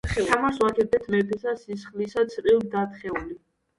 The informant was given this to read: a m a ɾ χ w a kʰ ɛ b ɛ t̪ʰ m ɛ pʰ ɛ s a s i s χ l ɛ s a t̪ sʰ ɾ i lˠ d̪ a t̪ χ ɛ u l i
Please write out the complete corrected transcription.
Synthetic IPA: a m a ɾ s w a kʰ ɛ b ɛ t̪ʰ m ɛ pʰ ɛ s a s i s χ l i s a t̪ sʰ ɾ i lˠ d̪ a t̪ χ ɛ u l i